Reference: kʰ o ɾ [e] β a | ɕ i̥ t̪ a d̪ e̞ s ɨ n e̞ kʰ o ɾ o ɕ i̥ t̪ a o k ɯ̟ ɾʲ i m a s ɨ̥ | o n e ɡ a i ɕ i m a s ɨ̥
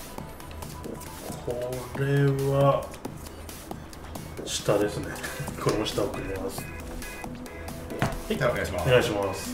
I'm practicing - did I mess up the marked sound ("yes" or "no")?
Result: no